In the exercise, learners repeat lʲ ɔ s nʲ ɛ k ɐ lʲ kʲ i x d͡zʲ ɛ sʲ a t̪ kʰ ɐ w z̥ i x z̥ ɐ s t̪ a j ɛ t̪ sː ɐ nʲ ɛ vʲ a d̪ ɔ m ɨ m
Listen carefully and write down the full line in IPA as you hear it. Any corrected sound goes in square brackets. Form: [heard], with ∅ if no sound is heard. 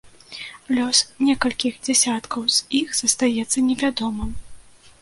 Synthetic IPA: lʲ ɔ s nʲ ɛ k ɐ lʲ kʲ i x d͡zʲ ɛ sʲ a t̪ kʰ ɐ w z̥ i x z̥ ɐ s t̪ a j ɛ t̪ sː ɐ nʲ ɛ vʲ a d̪ ɔ m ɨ m